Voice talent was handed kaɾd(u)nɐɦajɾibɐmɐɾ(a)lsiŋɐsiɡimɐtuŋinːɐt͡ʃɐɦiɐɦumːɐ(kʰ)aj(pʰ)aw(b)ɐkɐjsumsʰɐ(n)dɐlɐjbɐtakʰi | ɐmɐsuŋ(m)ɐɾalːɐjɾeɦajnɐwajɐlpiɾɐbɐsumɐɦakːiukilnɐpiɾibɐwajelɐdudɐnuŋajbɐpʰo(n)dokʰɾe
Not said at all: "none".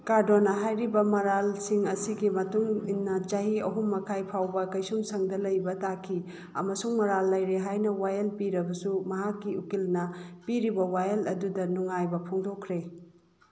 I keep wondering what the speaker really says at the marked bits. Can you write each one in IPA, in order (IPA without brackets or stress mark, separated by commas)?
o, a, kʰ, pʰ, b, ŋ, m, ŋ